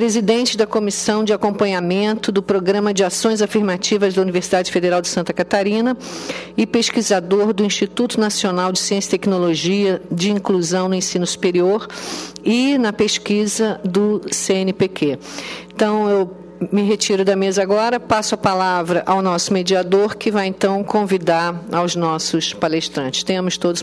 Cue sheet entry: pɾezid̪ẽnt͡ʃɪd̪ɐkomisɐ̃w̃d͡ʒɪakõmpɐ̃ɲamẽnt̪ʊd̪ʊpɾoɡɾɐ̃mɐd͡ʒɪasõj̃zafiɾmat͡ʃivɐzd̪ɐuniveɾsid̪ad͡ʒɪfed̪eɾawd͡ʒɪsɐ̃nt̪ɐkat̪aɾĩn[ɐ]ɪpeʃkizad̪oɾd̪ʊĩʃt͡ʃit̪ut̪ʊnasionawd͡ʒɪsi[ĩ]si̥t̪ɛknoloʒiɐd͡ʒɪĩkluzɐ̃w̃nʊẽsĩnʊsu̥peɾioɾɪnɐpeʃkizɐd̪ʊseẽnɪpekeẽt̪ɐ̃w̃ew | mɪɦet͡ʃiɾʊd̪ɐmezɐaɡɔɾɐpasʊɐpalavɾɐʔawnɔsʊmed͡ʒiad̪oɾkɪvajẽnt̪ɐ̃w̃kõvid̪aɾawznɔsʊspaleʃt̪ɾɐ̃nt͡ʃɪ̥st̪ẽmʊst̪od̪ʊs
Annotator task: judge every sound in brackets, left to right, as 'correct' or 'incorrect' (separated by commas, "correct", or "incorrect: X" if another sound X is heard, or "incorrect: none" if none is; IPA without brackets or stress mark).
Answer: correct, incorrect: ẽ